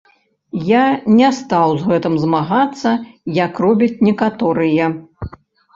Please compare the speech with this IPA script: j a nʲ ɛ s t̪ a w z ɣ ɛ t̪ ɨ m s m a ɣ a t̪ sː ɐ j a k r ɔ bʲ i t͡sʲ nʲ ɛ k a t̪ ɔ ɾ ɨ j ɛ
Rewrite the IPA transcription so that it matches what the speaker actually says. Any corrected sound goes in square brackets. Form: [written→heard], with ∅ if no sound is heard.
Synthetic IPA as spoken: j a nʲ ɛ s t̪ a w z ɣ ɛ t̪ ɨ m [s→z] m a ɣ a t̪ sː ɐ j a k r ɔ bʲ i t͡sʲ nʲ ɛ k a t̪ ɔ ɾ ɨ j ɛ